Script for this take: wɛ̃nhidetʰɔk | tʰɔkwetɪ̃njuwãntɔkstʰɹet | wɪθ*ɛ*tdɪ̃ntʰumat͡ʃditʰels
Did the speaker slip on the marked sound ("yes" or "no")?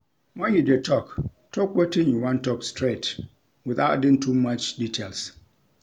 yes